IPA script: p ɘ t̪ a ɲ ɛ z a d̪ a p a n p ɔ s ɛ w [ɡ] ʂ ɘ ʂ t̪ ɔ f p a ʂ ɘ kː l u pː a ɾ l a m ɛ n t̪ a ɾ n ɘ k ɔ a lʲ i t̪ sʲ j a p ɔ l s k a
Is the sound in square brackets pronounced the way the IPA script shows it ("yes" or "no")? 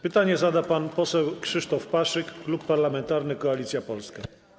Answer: no